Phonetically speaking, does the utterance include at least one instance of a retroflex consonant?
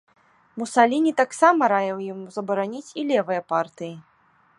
no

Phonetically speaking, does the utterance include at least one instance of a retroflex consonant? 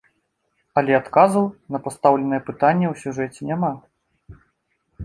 yes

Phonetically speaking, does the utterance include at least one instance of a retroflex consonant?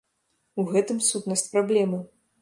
no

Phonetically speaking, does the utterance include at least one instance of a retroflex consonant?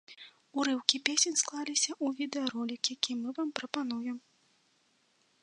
no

